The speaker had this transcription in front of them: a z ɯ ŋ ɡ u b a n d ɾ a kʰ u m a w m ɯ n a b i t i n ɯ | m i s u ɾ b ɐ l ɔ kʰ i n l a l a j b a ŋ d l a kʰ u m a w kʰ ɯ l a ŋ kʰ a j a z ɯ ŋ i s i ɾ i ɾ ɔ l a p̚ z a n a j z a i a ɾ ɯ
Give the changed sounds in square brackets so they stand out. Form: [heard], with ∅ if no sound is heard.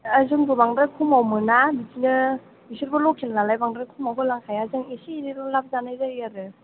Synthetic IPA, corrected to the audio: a z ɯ ŋ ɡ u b a [ŋ] d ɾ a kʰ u m a w m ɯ n a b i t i n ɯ | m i s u ɾ b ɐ l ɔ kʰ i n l a l a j b a ŋ d [ɾ] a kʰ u m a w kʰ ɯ l a ŋ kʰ a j a z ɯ ŋ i s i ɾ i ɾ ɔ l a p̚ z a n a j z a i a ɾ ɯ